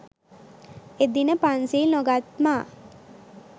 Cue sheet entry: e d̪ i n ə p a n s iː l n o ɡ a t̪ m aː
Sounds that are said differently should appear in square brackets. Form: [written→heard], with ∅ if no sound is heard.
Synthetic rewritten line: e d̪ i n ə p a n s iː l n o ɡ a t̪ m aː